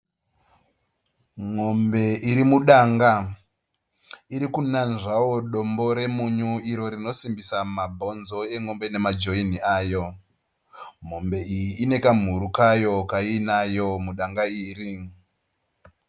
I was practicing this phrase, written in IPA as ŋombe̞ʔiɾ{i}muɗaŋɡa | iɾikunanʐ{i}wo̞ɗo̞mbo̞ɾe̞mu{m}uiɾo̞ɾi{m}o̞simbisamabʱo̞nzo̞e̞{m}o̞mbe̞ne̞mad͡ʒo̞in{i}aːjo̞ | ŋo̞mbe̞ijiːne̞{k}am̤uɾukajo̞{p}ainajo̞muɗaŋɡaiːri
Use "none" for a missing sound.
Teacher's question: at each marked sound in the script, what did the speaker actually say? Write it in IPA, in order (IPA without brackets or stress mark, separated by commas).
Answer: i, a, ɲ, n, ŋ, i, k, k